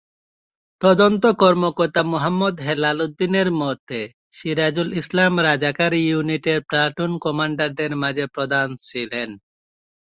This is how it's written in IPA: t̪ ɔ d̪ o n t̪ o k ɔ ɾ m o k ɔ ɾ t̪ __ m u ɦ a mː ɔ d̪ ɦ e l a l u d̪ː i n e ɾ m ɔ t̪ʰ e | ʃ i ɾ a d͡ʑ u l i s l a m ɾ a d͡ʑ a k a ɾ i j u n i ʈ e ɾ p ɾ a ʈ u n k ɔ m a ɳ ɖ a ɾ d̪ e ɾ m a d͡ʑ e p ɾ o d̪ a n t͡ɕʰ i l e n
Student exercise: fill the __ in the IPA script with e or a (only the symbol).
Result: a